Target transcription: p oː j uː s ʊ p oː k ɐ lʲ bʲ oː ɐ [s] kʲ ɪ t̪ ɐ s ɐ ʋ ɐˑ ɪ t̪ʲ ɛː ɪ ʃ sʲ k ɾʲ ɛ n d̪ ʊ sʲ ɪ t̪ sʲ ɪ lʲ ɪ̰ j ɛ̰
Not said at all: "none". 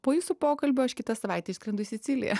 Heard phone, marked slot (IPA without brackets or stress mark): ʃ